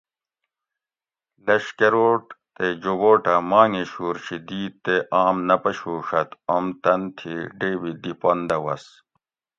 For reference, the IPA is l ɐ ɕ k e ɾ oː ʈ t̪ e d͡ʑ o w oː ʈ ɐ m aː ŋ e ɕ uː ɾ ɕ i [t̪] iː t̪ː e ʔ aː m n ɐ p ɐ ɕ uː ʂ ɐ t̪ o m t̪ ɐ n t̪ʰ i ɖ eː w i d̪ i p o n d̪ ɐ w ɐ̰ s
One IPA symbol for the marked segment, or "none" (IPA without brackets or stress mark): d̪